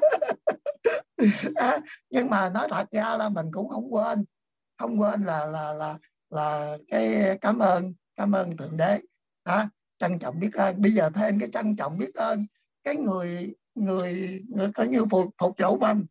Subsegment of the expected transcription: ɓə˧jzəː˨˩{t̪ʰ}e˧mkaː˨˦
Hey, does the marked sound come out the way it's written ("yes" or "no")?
yes